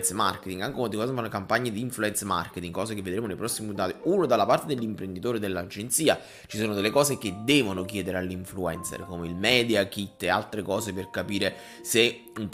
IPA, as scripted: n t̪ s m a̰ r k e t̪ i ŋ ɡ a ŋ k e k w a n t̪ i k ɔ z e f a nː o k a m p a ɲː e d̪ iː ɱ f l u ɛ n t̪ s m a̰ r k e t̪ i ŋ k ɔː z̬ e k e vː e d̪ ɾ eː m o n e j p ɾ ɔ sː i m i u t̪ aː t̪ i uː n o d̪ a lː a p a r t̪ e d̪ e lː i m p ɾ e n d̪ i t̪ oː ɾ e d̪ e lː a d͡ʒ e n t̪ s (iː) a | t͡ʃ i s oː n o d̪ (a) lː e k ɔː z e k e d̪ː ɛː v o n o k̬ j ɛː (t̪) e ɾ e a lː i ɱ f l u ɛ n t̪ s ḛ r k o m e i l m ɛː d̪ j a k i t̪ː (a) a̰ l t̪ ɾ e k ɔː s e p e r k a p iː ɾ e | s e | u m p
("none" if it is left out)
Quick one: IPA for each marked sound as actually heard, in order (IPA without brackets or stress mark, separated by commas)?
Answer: iː, e, d̪, e